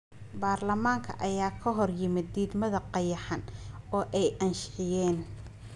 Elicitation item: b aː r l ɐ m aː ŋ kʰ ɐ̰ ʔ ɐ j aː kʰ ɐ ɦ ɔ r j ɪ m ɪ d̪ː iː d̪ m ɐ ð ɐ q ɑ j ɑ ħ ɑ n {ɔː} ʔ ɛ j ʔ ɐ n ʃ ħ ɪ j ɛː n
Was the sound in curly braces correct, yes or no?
yes